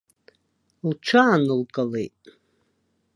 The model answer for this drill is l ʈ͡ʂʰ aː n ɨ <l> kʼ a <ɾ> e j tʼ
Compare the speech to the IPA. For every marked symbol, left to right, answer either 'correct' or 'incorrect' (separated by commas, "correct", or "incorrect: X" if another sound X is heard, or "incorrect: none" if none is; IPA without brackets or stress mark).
correct, incorrect: l